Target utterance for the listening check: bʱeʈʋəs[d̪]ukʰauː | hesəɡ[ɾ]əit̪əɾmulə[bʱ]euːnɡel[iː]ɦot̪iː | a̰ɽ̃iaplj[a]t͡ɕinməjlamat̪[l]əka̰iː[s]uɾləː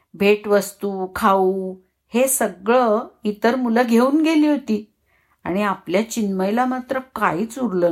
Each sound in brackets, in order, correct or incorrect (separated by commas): incorrect, incorrect, incorrect, correct, correct, incorrect, incorrect